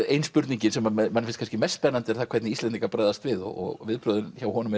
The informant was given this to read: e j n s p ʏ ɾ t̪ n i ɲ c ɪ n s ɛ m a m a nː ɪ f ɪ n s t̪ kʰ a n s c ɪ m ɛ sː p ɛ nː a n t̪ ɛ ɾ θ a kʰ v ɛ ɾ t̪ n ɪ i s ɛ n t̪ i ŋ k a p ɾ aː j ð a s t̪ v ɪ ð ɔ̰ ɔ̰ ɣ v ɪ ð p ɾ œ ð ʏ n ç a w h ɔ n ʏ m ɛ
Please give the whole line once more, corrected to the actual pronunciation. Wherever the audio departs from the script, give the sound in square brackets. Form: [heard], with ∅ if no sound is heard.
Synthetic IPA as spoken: e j n s p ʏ ɾ t̪ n i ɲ c ɪ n s ɛ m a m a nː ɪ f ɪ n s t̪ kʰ a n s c ɪ m ɛ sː p ɛ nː a n t̪ ɛ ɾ θ a kʰ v ɛ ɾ t̪ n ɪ i s ɛ n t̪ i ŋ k a p ɾ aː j ð a s t̪ v ɪ ð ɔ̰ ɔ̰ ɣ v ɪ ð p ɾ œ ð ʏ n ç a w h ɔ n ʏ m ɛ